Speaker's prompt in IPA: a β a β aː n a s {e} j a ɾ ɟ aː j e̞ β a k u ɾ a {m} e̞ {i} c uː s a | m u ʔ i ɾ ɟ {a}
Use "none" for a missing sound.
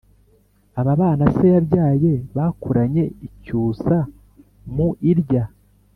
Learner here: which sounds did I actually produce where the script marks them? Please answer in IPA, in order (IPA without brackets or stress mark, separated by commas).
e, ɲ, i, a